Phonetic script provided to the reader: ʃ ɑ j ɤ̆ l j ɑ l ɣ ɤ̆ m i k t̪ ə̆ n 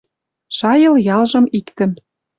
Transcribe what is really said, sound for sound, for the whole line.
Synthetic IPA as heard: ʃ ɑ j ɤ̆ l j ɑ l ʒ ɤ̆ m i k t̪ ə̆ n